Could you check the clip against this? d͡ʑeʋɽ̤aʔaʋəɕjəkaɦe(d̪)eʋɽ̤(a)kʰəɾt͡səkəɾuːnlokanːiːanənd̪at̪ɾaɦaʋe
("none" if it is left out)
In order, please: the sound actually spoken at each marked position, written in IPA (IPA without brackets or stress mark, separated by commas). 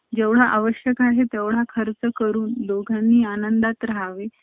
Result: t̪, a